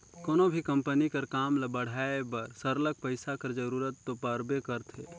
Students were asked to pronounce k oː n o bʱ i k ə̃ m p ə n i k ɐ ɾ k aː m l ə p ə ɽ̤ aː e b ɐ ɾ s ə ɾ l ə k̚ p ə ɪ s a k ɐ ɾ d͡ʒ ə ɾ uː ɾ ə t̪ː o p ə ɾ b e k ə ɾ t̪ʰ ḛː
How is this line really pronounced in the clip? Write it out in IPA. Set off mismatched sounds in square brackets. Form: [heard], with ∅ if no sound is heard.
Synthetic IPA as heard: k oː n o bʱ i k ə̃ m p ə n i k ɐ ɾ k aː m l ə [b] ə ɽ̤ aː e b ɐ ɾ s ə ɾ l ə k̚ p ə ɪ s a k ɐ ɾ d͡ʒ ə ɾ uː ɾ ə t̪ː o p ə ɾ b e k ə ɾ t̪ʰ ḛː